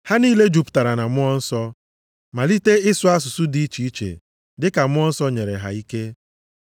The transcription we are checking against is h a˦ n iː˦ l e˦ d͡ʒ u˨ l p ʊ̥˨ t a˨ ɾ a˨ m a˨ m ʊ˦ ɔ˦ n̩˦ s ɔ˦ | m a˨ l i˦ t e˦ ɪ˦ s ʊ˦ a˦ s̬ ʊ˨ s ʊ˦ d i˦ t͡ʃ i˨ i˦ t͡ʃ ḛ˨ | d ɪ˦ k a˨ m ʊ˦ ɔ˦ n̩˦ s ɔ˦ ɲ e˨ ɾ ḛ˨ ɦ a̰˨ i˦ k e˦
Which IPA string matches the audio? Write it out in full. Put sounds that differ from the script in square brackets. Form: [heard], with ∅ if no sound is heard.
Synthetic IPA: h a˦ n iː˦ l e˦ d͡ʒ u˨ [∅] p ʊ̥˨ t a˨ ɾ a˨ [n] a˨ m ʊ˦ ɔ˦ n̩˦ s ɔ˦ | m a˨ l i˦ t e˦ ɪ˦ s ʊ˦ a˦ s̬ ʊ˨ s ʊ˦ d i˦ t͡ʃ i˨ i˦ t͡ʃ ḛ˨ | d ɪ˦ k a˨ m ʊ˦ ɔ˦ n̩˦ s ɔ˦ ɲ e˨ ɾ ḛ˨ ɦ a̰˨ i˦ k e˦